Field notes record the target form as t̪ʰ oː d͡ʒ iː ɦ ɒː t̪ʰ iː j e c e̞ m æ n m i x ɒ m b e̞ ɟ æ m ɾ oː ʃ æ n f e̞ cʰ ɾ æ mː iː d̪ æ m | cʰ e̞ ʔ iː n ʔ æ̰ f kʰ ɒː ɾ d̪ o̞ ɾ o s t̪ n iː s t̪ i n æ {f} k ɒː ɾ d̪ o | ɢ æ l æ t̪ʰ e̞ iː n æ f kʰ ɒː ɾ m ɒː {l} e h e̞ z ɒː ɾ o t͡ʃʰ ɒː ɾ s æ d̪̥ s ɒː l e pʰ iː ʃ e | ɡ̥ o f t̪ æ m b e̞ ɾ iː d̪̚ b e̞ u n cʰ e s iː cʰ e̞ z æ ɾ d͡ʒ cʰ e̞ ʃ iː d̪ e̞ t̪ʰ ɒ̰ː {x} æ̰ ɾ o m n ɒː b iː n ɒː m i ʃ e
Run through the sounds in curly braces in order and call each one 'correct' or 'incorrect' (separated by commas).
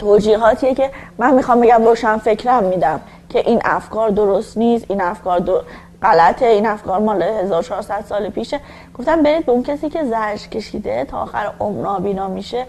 correct, correct, correct